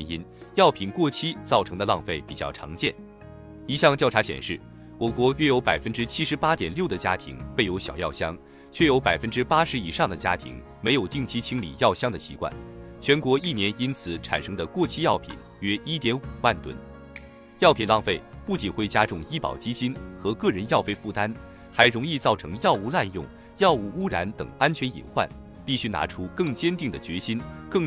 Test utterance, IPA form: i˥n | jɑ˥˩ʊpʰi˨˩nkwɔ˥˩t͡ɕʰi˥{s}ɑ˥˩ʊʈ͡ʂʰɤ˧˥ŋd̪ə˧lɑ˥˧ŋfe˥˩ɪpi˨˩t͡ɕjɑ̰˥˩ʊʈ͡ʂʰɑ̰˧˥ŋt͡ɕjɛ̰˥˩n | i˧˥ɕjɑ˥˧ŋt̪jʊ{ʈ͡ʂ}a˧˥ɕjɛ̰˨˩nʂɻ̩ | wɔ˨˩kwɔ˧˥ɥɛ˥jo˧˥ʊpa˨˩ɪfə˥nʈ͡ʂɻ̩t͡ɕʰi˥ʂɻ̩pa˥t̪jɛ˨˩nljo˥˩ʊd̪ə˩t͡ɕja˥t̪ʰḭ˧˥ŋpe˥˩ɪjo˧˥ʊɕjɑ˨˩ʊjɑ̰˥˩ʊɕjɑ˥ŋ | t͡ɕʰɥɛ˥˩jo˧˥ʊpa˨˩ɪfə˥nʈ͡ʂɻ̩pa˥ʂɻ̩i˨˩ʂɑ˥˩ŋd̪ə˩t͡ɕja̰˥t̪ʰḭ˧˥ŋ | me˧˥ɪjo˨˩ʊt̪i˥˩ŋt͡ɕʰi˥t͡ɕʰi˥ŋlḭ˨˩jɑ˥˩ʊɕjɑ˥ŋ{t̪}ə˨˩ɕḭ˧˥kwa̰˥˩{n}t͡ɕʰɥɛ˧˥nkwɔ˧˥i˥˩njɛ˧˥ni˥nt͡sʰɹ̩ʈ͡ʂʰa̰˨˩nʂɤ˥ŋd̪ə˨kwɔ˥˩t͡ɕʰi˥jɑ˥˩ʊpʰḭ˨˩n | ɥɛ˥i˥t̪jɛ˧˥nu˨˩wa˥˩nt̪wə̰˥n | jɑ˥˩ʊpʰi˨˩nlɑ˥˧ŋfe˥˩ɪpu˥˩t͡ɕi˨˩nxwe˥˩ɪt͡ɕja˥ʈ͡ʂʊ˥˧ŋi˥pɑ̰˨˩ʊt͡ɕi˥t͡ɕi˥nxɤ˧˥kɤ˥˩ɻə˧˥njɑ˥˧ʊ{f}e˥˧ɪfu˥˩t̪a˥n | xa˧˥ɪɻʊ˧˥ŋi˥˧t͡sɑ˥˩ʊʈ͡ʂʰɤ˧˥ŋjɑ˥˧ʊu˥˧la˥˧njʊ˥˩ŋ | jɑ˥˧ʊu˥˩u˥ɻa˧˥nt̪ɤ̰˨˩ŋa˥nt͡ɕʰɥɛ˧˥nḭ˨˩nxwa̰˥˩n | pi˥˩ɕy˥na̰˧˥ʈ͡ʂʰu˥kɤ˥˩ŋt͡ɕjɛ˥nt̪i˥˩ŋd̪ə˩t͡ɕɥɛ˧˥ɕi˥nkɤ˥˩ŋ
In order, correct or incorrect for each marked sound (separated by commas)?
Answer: incorrect, incorrect, incorrect, correct, correct